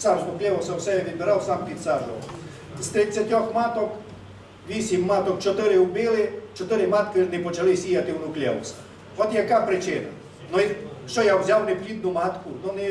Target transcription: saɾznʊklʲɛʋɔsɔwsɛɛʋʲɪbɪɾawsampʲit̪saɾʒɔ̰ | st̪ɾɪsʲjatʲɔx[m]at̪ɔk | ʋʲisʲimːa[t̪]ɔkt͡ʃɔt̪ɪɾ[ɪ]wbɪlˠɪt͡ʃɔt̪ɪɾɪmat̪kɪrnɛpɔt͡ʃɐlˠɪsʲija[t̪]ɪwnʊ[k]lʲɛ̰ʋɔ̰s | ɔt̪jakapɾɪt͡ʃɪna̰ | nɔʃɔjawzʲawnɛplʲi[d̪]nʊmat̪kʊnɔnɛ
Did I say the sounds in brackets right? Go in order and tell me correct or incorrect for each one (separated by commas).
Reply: correct, correct, correct, correct, correct, correct